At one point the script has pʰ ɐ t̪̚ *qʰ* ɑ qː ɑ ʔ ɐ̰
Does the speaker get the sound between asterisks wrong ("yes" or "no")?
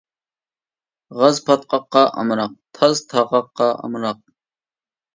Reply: yes